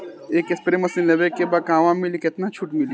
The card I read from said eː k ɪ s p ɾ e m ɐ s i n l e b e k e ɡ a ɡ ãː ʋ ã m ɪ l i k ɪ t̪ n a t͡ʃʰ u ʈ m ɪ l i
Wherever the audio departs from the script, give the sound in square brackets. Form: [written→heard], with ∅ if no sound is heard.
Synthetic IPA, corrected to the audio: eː k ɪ s p ɾ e m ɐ s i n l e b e k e [ɡ→b] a [ɡ→k] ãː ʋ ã m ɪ l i k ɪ t̪ n a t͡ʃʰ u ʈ m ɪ l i